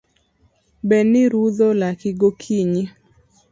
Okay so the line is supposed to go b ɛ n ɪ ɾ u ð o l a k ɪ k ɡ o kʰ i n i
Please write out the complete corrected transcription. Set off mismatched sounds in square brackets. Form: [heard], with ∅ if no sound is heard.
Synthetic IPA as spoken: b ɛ n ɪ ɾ u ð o l a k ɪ [∅] ɡ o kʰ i [ɲ] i